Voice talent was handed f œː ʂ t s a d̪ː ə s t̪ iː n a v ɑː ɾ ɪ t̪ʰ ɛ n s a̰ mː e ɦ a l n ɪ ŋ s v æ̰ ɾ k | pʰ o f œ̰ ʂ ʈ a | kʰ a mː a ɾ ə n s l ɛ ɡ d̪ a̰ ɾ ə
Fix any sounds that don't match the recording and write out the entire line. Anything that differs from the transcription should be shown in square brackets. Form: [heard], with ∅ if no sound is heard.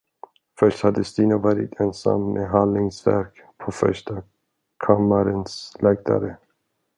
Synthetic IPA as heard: f [œ] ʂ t [h] a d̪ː ə s t̪ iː n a v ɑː ɾ ɪ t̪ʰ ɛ n s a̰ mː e ɦ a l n ɪ ŋ s v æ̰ ɾ k | pʰ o f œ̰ ʂ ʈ a | kʰ a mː a ɾ ə n s l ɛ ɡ d̪ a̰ ɾ ə